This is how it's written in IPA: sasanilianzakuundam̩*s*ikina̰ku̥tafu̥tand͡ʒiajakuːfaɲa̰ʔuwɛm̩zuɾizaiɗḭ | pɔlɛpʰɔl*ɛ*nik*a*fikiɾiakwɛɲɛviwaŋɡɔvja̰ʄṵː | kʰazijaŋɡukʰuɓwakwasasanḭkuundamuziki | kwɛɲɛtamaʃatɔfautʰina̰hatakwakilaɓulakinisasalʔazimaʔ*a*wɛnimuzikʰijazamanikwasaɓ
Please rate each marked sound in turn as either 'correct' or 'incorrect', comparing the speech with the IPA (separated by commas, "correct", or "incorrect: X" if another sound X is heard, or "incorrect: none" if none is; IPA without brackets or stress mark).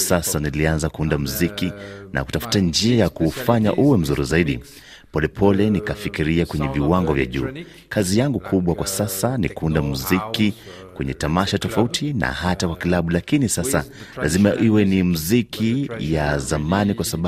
incorrect: z, correct, correct, incorrect: i